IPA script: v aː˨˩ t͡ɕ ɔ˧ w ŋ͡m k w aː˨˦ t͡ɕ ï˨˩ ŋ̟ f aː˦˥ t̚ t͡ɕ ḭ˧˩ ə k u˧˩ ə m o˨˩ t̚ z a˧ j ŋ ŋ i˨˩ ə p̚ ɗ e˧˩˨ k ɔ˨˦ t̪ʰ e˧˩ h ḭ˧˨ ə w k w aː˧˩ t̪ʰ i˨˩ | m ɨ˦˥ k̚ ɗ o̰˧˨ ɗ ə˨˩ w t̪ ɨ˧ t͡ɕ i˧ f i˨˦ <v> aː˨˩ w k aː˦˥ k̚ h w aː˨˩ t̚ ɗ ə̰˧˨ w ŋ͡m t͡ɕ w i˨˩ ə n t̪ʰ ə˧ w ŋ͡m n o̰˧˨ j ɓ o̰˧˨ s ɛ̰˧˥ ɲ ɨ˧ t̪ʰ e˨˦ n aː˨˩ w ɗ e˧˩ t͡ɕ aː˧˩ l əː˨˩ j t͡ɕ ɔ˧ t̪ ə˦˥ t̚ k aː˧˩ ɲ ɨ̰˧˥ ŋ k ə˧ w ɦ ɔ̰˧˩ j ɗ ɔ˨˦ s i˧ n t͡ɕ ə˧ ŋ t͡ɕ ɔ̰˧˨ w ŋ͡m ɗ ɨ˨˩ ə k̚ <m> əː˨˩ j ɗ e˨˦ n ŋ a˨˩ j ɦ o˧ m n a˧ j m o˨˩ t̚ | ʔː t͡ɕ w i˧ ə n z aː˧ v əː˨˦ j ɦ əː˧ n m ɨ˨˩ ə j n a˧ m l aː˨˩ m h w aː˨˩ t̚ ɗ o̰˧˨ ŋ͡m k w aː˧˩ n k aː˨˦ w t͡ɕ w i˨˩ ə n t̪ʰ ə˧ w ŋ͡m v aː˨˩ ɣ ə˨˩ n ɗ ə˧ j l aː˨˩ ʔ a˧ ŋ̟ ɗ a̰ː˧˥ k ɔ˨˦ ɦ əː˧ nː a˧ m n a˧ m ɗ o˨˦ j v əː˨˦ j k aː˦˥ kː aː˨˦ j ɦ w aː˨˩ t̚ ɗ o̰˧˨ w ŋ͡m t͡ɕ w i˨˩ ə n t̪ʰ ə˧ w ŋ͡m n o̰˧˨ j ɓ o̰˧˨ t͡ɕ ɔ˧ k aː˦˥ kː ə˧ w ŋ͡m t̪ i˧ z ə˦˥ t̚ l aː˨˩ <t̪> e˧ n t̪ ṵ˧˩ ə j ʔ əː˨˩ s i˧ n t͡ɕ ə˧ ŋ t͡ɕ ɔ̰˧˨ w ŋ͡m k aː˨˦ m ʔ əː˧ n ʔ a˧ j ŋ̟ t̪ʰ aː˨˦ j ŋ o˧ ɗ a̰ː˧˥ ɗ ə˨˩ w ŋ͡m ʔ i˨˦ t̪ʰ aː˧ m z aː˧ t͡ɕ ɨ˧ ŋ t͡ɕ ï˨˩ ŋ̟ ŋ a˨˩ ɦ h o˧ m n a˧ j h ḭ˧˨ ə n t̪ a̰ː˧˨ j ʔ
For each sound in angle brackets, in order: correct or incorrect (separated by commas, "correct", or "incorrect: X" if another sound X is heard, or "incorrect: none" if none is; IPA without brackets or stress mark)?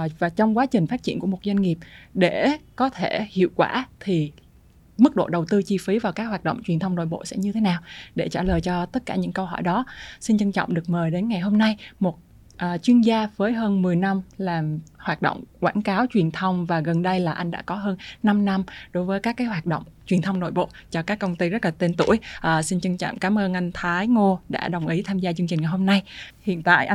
correct, correct, correct